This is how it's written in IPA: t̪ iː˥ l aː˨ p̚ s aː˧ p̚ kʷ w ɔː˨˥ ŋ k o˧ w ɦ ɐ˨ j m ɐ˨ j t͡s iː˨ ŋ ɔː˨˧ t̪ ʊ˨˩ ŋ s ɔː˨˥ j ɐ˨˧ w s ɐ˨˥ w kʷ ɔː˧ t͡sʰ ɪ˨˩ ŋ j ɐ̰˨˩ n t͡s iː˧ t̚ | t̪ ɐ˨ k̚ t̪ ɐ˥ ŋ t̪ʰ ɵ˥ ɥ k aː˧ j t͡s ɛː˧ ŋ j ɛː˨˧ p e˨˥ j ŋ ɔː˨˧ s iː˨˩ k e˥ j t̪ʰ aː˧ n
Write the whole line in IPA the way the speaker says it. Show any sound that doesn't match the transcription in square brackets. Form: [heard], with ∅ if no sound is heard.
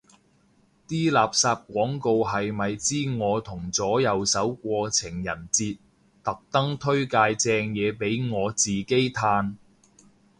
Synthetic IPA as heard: t̪ iː˥ l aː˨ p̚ s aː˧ p̚ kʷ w ɔː˨˥ ŋ k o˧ w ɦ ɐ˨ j m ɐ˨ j t͡s [iː˥] ŋ ɔː˨˧ [t̪ʰ] ʊ˨˩ ŋ [t͡s] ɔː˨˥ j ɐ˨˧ w s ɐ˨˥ w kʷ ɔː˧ t͡sʰ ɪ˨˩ ŋ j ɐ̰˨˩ n t͡s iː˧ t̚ | t̪ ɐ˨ k̚ t̪ ɐ˥ ŋ t̪ʰ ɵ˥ ɥ k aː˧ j t͡s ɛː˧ ŋ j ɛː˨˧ p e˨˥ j ŋ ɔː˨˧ [t͡s] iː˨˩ k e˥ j t̪ʰ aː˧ n